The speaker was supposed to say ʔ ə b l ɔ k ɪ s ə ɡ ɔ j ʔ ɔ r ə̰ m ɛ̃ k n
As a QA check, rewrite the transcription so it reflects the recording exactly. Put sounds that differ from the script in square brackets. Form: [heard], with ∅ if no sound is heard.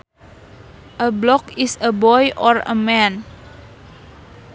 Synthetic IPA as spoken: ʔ ə b l ɔ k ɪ s ə [b] ɔ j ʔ ɔ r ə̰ m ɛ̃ [∅] n